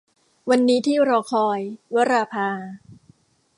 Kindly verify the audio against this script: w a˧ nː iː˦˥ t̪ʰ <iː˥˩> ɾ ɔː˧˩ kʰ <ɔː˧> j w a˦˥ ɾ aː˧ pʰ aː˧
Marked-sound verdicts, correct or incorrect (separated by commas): correct, correct